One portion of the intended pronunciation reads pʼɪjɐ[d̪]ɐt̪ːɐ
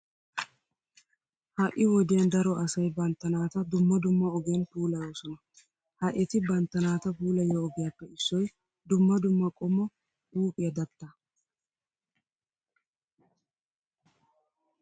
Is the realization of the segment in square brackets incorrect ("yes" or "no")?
no